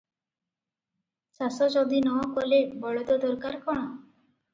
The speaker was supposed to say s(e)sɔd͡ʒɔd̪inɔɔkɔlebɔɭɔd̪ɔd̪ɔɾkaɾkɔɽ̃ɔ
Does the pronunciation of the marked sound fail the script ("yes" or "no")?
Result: yes